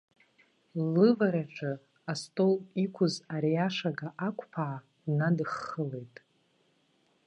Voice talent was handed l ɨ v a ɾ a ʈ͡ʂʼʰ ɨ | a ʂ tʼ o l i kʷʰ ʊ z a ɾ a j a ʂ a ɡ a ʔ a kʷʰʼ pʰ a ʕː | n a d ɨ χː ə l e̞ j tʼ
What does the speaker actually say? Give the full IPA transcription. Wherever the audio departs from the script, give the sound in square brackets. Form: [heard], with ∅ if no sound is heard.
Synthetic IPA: l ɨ v a ɾ a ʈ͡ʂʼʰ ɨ | a [s] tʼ o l i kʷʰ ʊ z a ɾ [i] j a ʂ a ɡ a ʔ a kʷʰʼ pʰ a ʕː | n a d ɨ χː ə l e̞ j tʼ